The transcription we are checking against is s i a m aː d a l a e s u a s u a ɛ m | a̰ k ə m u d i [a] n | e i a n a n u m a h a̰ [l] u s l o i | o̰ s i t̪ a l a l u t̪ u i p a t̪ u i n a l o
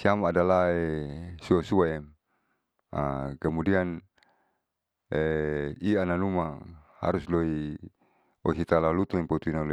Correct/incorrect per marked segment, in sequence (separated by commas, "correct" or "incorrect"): correct, incorrect